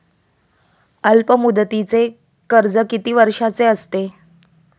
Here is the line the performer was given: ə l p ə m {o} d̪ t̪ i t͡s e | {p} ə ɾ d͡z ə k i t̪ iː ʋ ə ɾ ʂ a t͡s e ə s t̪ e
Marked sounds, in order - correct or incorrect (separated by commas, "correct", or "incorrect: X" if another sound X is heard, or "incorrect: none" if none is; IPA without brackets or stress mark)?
incorrect: u, incorrect: k